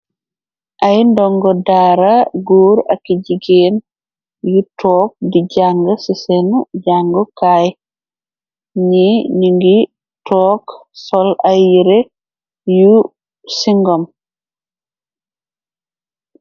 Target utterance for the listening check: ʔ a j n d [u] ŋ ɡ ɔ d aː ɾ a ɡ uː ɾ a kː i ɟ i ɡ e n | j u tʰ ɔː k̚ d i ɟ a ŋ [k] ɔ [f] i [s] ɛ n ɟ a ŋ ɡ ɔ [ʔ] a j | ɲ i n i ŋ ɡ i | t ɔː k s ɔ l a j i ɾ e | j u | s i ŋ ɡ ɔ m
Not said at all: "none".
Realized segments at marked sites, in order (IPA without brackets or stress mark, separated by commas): ɔ, ɡ, s, s, k